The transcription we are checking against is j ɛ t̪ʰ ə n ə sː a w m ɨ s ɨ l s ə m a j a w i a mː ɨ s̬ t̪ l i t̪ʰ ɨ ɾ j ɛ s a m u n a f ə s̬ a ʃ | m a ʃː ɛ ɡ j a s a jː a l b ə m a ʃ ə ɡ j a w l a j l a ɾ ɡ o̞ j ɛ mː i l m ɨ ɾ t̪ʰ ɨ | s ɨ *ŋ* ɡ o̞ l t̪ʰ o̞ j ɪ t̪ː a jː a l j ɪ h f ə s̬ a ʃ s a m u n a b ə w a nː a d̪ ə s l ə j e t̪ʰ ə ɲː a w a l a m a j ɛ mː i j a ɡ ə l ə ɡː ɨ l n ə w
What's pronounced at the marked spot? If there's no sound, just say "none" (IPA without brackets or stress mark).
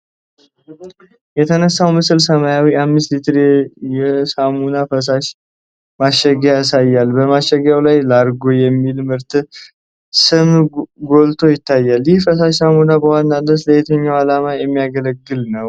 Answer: m